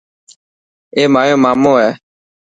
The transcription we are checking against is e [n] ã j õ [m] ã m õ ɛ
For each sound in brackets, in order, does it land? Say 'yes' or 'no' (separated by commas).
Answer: no, yes